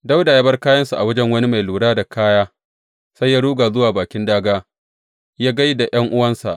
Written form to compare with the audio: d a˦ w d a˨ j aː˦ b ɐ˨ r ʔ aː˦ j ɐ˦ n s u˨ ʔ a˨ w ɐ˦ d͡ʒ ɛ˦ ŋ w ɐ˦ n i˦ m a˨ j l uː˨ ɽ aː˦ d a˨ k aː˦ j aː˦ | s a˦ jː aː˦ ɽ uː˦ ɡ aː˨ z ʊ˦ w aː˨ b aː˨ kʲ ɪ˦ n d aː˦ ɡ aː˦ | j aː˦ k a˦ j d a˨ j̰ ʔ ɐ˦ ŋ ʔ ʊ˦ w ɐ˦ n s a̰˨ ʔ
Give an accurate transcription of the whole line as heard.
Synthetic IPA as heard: d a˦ w d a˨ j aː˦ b ɐ˦ r k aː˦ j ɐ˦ n s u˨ ʔ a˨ w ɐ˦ d͡ʒ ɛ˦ ŋ w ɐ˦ n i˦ m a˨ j l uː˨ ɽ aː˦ d a˨ k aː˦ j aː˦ | s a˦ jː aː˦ ɽ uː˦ ɡ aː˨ z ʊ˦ w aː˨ b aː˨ kʲ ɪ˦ n d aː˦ ɡ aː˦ | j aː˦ ɡ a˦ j d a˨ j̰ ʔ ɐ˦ ŋ ʔ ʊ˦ w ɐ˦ n s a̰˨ ʔ